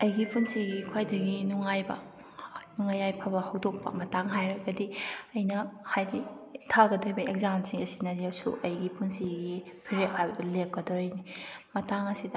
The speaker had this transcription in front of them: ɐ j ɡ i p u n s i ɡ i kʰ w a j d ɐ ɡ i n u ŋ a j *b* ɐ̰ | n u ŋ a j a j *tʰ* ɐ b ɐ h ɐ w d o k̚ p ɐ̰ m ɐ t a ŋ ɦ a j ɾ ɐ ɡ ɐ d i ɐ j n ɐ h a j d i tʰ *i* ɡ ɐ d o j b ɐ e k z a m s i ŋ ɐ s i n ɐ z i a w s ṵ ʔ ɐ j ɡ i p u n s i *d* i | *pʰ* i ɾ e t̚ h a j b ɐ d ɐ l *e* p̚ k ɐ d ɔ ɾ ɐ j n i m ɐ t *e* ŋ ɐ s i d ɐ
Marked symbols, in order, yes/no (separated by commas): yes, no, no, no, yes, yes, no